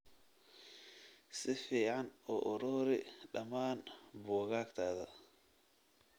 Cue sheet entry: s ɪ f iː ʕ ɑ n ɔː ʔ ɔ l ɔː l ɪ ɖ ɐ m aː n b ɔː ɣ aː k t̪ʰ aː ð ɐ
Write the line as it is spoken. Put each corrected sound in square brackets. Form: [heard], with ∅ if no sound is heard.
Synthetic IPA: s ɪ f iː ʕ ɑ n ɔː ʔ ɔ [ɾ] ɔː [ɾ] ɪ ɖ ɐ m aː n b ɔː ɣ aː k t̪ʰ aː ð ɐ